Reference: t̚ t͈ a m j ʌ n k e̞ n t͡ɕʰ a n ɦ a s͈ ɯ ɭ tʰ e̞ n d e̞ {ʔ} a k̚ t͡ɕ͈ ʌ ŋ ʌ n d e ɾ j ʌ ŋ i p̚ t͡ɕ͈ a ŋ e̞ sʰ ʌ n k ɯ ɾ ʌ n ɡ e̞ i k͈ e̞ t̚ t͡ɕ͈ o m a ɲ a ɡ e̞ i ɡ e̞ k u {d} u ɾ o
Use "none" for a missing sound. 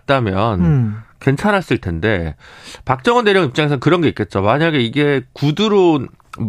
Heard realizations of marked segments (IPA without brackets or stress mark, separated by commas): p, d